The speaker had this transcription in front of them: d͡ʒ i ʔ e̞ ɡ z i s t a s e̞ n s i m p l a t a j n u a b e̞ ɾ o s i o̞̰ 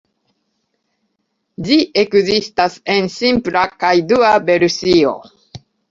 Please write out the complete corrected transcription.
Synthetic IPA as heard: d͡ʒ i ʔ e̞ k z i s t a s e̞ n s i m p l a k a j d u a b e̞ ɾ u s i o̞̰